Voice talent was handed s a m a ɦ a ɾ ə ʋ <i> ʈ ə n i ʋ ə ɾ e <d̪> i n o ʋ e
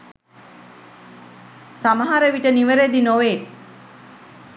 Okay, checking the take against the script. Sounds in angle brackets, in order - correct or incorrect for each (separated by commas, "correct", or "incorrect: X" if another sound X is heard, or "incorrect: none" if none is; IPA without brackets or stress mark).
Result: correct, correct